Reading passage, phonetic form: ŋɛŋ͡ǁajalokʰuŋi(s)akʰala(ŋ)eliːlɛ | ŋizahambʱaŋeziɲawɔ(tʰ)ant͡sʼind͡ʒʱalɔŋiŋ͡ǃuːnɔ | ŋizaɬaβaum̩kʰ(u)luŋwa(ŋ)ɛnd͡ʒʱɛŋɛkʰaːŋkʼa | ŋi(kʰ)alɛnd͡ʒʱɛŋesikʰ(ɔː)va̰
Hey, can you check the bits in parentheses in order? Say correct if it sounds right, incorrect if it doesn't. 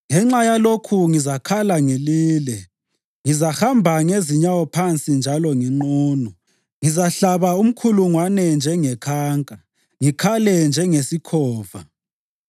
incorrect: z, correct, incorrect: pʰ, correct, incorrect: n, correct, correct

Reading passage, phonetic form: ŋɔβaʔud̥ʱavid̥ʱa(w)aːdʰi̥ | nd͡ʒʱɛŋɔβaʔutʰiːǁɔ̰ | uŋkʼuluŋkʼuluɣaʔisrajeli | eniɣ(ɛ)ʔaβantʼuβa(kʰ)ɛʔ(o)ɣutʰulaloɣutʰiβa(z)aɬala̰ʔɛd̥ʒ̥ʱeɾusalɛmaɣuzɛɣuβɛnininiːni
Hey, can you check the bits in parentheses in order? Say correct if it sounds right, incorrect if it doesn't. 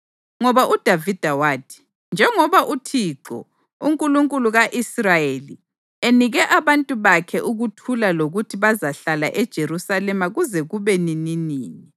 correct, correct, correct, incorrect: u, correct

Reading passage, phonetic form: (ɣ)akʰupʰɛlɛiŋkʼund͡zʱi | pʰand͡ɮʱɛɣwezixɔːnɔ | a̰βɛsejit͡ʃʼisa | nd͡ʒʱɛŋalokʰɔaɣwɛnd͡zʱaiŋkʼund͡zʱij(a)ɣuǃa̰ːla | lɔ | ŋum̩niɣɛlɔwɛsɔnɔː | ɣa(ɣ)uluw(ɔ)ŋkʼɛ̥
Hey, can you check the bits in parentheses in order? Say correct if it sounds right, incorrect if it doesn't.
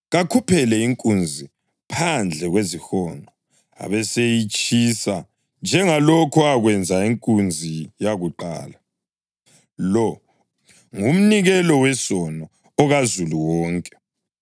correct, correct, incorrect: z, incorrect: ɔː

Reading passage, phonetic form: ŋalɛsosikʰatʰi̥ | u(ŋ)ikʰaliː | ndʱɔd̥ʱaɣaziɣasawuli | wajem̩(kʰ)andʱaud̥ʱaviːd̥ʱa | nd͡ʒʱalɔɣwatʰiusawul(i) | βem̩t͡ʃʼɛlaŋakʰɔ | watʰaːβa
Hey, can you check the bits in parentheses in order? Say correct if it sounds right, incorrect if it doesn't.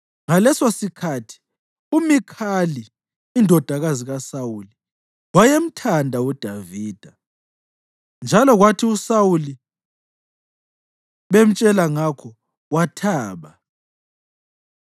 incorrect: m, incorrect: tʰ, correct

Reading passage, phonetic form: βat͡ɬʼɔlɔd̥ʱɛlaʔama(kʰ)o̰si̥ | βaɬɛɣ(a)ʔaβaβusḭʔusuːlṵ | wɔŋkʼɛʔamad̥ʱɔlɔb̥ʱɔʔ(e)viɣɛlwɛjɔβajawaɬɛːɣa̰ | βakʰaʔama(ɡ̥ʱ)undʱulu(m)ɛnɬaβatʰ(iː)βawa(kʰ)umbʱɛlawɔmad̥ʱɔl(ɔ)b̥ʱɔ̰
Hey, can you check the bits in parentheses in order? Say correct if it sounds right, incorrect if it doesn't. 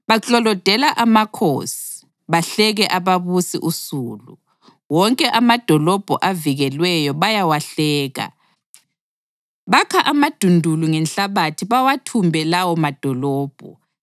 correct, incorrect: ɛ, incorrect: a, incorrect: d̥ʱ, incorrect: ŋ, incorrect: i, incorrect: tʰ, incorrect: ɔː

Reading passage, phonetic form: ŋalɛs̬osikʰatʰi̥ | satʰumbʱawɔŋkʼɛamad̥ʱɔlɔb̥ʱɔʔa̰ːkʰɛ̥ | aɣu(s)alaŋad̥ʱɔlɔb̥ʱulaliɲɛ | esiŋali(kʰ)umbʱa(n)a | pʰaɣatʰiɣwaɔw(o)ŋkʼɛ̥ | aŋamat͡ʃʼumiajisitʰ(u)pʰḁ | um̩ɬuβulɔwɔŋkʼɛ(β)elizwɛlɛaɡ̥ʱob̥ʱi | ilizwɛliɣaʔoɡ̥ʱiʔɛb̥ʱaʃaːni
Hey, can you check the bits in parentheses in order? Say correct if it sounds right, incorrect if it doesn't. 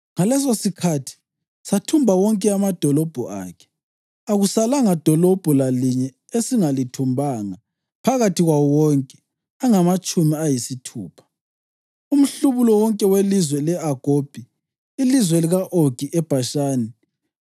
correct, incorrect: tʰ, incorrect: ŋ, incorrect: ɔ, incorrect: uː, incorrect: w

